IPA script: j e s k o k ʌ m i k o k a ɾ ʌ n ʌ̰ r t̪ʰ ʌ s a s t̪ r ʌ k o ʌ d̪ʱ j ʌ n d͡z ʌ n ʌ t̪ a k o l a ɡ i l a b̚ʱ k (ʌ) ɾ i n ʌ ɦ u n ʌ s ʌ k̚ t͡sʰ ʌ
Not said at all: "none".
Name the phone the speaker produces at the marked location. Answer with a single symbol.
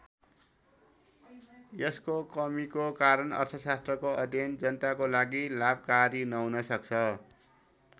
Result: a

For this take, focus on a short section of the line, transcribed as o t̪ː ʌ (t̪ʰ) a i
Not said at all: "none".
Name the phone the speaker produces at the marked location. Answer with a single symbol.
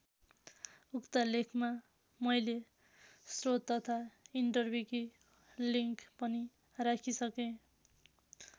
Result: t̪ʰ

